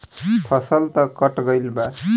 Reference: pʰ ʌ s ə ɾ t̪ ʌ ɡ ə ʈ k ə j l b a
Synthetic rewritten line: pʰ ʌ s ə l t̪ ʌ k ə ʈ ɡ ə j l b a